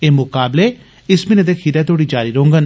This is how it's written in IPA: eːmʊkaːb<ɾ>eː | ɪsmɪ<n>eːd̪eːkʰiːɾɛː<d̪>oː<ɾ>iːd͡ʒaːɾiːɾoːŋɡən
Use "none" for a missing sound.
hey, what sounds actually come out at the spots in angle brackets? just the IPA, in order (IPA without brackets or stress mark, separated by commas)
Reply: l, n, t̪, ɽ